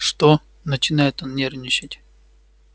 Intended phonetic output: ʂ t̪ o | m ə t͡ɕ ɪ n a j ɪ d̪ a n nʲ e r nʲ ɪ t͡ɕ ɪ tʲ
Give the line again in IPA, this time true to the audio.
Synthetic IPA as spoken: ʂ t̪ o | n ə t͡ɕ ɪ n a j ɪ t̪ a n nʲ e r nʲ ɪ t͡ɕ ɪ tʲ